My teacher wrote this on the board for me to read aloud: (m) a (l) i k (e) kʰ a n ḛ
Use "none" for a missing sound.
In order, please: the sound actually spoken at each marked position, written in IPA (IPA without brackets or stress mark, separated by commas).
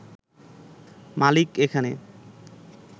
m, l, e